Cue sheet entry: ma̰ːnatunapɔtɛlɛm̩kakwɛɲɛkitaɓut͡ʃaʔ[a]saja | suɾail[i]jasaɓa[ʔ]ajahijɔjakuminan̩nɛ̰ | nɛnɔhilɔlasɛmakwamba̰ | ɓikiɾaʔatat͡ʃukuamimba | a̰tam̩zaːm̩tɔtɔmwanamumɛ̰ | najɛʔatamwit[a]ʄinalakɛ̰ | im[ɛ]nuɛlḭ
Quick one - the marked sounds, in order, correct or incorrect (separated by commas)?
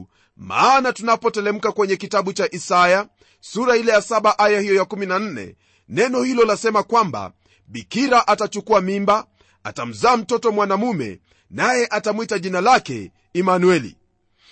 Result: incorrect, incorrect, correct, correct, incorrect